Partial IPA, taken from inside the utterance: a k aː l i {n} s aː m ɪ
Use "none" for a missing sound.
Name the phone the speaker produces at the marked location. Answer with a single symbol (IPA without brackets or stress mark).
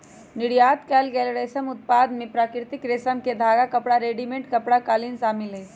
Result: n